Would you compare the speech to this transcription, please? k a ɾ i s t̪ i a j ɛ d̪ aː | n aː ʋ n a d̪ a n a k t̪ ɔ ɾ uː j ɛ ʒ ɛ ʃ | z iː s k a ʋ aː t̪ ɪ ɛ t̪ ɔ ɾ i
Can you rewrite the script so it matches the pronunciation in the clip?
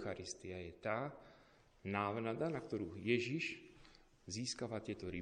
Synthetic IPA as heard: x a ɾ i s t̪ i a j ɛ t̪ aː | n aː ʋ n a d̪ a n a k t̪ ɔ ɾ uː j ɛ ʒ i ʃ | z iː s k a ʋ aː t̪ ɪ ɛ t̪ ɔ ɾ i